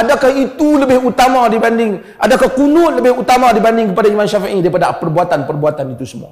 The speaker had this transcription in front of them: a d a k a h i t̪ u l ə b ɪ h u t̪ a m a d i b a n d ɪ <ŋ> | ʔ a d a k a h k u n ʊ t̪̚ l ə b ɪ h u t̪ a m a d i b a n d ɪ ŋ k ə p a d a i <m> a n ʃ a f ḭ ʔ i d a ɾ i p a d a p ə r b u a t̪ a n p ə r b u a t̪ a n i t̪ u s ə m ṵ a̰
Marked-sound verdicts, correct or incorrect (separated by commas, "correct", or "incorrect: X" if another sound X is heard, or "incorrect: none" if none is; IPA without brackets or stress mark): correct, correct